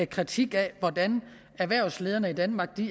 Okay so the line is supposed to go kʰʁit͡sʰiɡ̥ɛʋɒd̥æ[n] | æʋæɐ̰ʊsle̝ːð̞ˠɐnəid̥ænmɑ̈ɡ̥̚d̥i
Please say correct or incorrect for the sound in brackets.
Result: correct